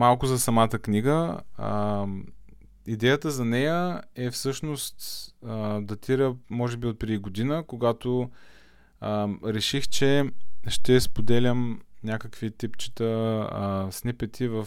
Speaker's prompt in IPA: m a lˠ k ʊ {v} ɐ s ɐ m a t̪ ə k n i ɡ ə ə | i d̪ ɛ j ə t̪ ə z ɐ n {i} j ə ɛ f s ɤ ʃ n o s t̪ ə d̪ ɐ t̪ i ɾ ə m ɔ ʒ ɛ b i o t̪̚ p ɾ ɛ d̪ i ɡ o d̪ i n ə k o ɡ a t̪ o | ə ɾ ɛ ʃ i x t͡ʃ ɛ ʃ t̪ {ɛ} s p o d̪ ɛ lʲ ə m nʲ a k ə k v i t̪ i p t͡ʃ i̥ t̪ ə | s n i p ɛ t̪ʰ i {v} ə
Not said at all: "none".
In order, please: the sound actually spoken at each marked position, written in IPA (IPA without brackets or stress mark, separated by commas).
z, ɛ, ɛ, v